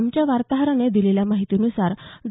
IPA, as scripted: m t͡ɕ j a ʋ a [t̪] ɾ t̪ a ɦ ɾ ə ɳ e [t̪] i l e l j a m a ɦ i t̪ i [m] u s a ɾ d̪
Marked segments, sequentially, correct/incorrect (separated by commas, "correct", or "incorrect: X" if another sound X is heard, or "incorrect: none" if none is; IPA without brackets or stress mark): incorrect: none, incorrect: d̪, incorrect: n